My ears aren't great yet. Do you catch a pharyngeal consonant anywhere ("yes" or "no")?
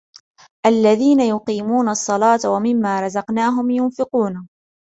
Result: no